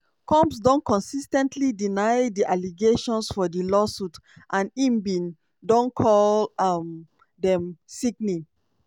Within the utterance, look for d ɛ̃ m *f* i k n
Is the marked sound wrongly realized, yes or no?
yes